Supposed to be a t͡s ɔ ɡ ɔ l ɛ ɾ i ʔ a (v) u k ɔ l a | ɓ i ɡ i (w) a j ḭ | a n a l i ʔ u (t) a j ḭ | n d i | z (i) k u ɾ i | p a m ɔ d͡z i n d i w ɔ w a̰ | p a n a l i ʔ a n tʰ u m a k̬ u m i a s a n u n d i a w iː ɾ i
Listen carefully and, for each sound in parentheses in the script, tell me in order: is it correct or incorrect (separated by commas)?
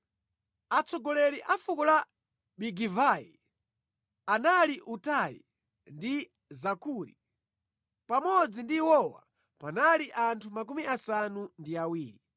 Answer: incorrect, incorrect, correct, incorrect